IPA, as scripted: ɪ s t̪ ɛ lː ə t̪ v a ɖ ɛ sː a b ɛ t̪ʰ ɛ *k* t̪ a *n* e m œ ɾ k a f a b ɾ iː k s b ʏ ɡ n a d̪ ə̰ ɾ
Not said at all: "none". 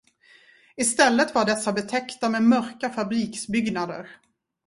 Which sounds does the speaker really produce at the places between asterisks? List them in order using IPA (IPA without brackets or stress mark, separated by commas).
k, m